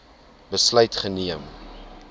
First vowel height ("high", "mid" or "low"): mid